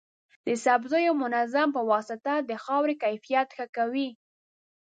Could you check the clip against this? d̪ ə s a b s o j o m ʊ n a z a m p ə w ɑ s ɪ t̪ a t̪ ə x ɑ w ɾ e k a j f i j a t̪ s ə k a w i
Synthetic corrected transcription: d̪ ə s a b z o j o m ʊ n a z a m p ə w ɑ s ɪ t̪ a d̪ ə x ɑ w ɾ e k a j f i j a t̪ x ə k a w i

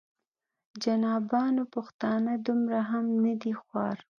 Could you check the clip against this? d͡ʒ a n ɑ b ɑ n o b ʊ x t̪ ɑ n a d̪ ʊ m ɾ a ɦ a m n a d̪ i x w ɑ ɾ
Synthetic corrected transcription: d͡ʒ a n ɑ b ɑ n o p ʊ x t̪ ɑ n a d̪ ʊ m ɾ a ɦ a m n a d̪ i x w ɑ ɾ

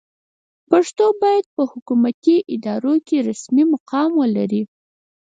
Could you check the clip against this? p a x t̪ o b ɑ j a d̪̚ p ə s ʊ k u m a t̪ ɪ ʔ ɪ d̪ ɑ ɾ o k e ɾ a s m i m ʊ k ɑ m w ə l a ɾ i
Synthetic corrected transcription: p a ʂ t̪ o b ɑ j a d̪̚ p ə h ʊ k u m a t̪ i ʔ ɪ d̪ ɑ ɾ o k e ɾ a s m i m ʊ q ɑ m w ə l a ɾ i

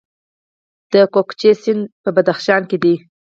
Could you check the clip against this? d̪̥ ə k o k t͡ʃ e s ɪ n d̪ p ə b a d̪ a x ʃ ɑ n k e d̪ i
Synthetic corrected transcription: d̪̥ ə k o k t͡ʃ e s ɪ n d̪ p ə b a d̪ a x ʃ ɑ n k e d̪ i

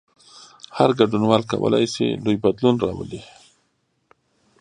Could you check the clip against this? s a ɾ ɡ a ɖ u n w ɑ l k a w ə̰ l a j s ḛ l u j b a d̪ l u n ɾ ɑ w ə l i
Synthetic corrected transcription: h a ɾ ɡ a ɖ u n w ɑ l k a w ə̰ l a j s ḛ l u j b a d̪ l u n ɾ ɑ w ə l i

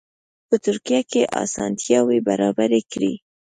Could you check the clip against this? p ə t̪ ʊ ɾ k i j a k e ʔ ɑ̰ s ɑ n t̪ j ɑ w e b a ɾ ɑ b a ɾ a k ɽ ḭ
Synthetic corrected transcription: p ə t̪ ʊ ɾ k i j a k e ʔ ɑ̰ s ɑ n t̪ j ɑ w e b a ɾ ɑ b a ɾ e k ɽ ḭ

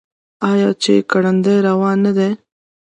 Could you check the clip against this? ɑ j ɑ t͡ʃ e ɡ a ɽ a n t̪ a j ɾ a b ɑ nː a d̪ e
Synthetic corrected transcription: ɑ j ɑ t͡ʃ e k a ɽ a n d̪ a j ɾ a w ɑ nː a d̪ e

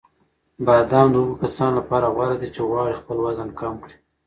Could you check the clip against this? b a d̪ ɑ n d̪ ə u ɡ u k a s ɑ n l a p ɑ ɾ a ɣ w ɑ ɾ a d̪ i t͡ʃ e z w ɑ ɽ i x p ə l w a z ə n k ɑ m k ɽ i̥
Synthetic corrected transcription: b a d̪ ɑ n d̪ ə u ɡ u k a s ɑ n l a p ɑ ɾ a ɣ w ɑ ɾ a d̪ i t͡ʃ e ɣ w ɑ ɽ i x p ə l w a z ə n k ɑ m k ɽ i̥

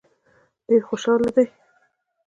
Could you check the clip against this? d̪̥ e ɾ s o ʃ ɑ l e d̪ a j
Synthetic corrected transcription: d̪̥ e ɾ x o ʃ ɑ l a d̪ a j

